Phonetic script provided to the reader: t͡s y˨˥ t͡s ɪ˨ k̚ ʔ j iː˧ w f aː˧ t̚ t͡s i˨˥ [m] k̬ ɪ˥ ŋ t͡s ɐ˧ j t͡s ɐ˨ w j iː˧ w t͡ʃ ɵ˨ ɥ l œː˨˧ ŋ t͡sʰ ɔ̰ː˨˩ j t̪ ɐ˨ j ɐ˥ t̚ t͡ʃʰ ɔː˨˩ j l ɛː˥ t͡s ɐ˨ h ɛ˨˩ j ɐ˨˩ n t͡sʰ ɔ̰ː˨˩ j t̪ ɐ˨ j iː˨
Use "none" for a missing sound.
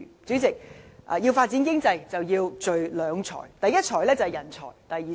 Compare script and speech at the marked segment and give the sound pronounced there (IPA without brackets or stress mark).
n